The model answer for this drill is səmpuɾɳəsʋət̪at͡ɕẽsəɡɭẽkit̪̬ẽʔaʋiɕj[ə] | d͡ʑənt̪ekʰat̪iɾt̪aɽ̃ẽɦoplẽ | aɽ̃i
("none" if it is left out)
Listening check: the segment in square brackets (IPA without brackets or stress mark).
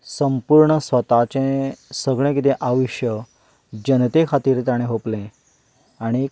ə